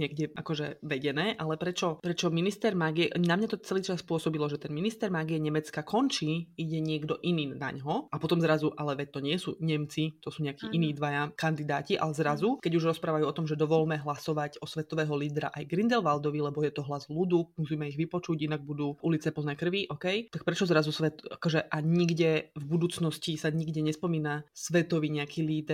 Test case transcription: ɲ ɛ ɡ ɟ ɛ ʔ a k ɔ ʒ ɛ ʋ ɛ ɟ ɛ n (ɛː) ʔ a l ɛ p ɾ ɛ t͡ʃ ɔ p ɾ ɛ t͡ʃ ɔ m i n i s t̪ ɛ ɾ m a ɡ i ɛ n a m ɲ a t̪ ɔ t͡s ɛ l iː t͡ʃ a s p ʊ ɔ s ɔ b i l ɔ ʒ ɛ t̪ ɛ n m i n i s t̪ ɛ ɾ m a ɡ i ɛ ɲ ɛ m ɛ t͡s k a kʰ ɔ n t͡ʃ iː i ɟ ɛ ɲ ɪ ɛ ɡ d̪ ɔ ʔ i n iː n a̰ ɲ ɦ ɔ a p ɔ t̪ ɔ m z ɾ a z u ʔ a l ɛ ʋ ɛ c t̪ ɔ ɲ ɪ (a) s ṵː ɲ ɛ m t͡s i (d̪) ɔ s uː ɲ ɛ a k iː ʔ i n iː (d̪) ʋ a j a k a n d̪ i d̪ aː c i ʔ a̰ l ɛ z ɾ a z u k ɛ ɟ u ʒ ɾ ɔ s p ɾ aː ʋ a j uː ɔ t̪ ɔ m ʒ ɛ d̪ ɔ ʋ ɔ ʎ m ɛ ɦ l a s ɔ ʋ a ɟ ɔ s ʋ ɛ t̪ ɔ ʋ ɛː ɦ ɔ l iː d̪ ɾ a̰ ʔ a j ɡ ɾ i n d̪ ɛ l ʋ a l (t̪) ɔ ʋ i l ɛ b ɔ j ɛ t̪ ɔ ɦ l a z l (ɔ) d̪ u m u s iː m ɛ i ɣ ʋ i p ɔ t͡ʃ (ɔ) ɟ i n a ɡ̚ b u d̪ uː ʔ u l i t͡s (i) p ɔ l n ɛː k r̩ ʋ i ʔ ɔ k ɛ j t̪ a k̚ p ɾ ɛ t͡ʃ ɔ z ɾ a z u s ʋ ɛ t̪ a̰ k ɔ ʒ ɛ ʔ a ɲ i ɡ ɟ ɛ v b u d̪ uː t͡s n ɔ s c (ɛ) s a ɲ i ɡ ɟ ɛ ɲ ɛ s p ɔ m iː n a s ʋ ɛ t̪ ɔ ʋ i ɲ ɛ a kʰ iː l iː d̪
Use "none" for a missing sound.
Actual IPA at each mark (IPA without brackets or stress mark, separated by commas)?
ɛː, ɛ, t̪, d̪, d̪, u, u, ɛ, i